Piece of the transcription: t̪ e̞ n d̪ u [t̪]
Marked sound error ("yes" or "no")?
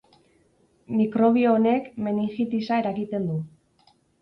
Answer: yes